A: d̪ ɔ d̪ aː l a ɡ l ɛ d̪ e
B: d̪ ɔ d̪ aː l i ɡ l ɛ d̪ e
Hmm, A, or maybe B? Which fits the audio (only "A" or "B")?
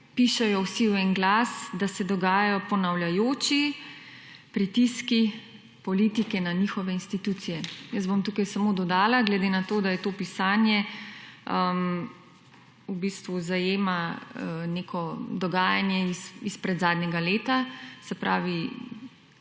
A